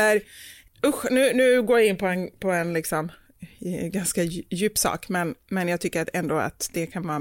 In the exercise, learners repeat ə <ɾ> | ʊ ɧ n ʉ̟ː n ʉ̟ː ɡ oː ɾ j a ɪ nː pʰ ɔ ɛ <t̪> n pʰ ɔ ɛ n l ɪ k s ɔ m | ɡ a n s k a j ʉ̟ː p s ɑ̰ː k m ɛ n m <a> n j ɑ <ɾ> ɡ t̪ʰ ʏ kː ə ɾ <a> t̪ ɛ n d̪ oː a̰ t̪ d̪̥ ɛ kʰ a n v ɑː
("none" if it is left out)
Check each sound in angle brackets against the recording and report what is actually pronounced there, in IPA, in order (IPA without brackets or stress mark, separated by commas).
ɾ, none, ɛ, none, a